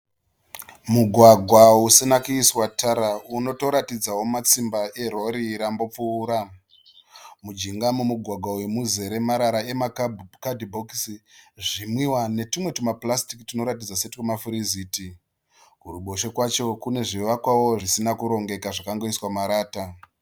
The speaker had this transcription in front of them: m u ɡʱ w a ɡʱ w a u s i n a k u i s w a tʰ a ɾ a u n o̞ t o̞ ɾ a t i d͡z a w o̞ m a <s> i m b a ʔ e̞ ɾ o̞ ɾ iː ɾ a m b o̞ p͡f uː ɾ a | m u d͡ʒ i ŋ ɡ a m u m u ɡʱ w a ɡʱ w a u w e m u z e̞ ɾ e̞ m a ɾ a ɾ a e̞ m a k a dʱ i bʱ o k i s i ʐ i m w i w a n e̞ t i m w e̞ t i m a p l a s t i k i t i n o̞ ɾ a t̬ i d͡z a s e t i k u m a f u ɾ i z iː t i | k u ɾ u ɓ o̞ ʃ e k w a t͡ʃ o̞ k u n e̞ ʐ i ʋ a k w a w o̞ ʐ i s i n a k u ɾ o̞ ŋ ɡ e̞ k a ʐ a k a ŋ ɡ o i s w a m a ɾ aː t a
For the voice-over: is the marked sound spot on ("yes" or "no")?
no